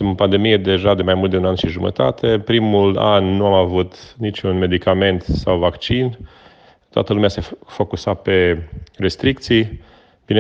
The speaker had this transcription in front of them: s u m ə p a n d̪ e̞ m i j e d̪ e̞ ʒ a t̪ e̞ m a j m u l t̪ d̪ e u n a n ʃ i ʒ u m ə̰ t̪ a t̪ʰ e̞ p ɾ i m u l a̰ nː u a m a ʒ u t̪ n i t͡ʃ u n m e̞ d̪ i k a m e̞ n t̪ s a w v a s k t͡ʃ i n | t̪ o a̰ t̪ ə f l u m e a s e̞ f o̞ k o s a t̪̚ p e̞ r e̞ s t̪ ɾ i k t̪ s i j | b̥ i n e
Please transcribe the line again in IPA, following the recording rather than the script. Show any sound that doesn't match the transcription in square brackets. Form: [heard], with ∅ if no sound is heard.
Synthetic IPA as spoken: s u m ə p a n d̪ e̞ m i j e d̪ e̞ ʒ a [d̪] e̞ m a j m u l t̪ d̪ e u n a n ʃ i ʒ u m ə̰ t̪ a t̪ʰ e̞ p ɾ i m u l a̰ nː u a m a [v] u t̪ n i t͡ʃ u n m e̞ d̪ i k a m e̞ n t̪ s a w v a [∅] k t͡ʃ i n | t̪ o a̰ t̪ ə [∅] l u m e a s e̞ f o̞ k [u] s a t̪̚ p e̞ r e̞ s t̪ ɾ i k t̪ s i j | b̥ i n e